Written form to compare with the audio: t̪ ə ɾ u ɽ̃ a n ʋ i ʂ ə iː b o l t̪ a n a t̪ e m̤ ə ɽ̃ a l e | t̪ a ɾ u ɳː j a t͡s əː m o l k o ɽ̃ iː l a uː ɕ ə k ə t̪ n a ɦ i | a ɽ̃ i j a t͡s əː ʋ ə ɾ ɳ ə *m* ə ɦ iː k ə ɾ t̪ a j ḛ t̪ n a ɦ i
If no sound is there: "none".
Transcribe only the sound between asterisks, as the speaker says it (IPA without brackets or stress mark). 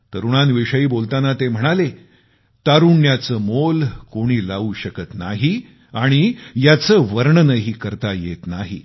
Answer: n